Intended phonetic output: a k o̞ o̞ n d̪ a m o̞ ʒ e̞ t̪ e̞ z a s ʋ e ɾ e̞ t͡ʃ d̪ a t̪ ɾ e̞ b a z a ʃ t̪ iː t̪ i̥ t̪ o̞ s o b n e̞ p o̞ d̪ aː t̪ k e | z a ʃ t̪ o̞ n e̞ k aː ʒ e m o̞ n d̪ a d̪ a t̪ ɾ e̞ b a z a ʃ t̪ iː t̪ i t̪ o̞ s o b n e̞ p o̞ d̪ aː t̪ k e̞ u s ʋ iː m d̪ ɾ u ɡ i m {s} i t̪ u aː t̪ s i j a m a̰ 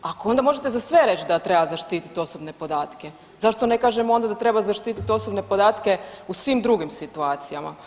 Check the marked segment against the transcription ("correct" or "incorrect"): correct